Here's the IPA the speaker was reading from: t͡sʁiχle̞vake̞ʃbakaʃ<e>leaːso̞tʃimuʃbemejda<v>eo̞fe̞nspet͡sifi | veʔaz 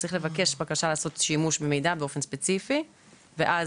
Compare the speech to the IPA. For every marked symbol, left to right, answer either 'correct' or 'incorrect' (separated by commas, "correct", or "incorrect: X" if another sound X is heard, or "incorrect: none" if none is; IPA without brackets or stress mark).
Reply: incorrect: a, incorrect: b